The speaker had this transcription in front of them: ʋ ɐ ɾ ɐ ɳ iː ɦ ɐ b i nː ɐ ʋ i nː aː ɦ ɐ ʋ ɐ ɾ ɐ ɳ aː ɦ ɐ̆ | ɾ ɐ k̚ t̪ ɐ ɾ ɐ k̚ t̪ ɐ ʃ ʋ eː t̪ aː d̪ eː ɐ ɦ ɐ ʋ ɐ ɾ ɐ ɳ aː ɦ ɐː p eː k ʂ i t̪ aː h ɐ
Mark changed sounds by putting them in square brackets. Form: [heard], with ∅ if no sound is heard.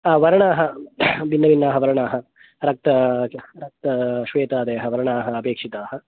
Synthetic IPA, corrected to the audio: ʋ ɐ ɾ ɐ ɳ [aː] ɦ ɐ b i nː ɐ ʋ i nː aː ɦ ɐ ʋ ɐ ɾ ɐ ɳ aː ɦ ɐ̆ | ɾ ɐ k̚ t̪ ɐ ɾ ɐ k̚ t̪ ɐ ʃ ʋ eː t̪ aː d̪ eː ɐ ɦ ɐ ʋ ɐ ɾ ɐ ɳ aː ɦ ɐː p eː k ʂ i t̪ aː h ɐ